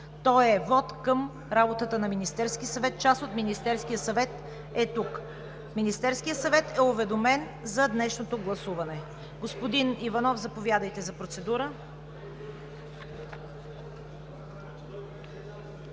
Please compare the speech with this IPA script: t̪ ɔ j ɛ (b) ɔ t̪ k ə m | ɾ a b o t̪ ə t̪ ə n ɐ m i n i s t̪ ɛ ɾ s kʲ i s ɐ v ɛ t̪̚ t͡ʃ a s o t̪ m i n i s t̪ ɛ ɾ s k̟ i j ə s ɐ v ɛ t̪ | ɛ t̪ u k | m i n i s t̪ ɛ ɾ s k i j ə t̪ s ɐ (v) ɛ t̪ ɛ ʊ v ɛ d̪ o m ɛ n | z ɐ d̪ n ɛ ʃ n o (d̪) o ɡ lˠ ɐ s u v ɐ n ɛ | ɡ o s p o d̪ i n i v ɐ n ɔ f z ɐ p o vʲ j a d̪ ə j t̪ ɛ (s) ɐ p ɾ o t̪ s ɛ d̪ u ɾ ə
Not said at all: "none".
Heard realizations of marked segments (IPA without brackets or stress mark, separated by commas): v, v, t̪, z